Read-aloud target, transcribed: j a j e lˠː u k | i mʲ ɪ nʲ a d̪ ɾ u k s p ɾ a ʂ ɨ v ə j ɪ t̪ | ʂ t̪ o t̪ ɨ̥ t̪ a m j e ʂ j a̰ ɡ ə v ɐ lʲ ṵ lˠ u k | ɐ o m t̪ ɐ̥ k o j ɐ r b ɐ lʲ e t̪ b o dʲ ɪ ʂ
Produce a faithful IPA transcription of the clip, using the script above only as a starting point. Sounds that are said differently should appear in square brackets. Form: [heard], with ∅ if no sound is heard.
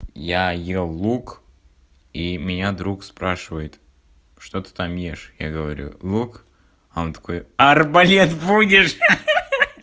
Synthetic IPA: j a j e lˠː u k | i mʲ ɪ nʲ a d̪ ɾ u k s p ɾ a ʂ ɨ v ə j ɪ t̪ | ʂ t̪ o t̪ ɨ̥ t̪ a m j e ʂ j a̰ ɡ ə v ɐ [ɾʲ] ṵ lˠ u k | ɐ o [n] t̪ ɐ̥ k o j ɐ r b ɐ lʲ e t̪ b [u] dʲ ɪ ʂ

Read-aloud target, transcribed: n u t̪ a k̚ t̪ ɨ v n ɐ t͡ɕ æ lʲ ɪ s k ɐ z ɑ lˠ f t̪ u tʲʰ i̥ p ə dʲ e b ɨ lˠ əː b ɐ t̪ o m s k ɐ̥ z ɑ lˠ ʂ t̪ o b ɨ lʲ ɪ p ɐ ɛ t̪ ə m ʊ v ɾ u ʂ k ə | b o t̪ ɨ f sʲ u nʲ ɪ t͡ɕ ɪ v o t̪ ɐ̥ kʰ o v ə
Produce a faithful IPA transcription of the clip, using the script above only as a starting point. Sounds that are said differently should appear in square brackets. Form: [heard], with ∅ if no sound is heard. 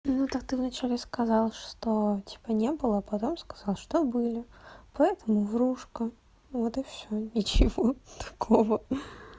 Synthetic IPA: n u t̪ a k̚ t̪ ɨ v n ɐ t͡ɕ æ lʲ ɪ s k ɐ z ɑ lˠ [ʂ] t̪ [o] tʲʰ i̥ p ə [nʲ] e b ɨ lˠ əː [p] ɐ t̪ o m s k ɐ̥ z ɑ lˠ ʂ t̪ o b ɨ lʲ ɪ p ɐ ɛ t̪ ə m ʊ v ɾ u ʂ k ə | [v] o t̪ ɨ f sʲ [o] nʲ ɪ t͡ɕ ɪ v o t̪ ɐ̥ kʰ o v ə

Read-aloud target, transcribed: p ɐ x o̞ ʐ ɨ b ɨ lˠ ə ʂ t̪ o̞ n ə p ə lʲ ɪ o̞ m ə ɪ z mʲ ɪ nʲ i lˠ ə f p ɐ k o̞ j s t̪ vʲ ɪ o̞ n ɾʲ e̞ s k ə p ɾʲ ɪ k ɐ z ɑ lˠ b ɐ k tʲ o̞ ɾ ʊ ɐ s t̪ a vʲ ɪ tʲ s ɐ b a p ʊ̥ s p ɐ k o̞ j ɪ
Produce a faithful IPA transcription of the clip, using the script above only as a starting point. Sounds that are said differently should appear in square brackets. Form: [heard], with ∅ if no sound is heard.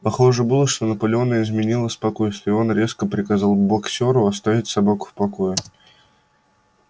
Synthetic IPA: p ɐ x o̞ ʐ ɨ b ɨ lˠ ə ʂ t̪ o̞ n ə p ə lʲ ɪ o̞ [n] ə ɪ z mʲ ɪ nʲ i lˠ ə [s] p ɐ k o̞ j s t̪ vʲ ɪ o̞ n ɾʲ e̞ s k ə p ɾʲ ɪ k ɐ z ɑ lˠ b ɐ k [sʲ] o̞ ɾ ʊ ɐ s t̪ a vʲ ɪ tʲ s ɐ b a [k] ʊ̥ [f] p ɐ k o̞ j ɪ

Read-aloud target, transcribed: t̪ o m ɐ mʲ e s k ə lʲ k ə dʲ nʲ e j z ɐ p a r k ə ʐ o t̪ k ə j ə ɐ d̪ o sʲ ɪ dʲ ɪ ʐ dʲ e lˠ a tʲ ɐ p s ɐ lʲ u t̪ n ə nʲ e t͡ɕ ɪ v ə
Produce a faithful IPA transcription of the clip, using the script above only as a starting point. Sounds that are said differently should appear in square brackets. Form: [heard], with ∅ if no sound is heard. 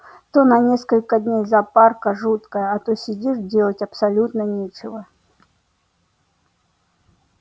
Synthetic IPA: t̪ o [n] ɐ [nʲ] e s k ə lʲ k ə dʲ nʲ e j z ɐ p a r k ə ʐ [u] t̪ k ə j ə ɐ [t̪] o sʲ ɪ dʲ [i] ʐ dʲ e lˠ [ə] tʲ ɐ p s ɐ lʲ u t̪ n ə nʲ e t͡ɕ ɪ v ə

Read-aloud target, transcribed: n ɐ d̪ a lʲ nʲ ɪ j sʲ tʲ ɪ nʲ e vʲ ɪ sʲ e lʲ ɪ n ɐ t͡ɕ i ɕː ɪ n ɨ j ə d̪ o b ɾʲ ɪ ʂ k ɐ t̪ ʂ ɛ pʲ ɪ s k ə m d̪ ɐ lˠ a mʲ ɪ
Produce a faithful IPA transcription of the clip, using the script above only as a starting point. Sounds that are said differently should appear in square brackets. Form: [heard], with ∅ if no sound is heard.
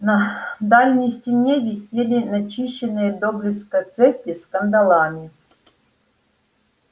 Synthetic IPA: n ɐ d̪ a lʲ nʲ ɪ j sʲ tʲ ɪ nʲ e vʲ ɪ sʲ e lʲ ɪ n ɐ t͡ɕ i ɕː ɪ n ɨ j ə d̪ o b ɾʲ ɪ [s] k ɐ t̪ [s] ɛ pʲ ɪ s k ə [n] d̪ ɐ lˠ a mʲ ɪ

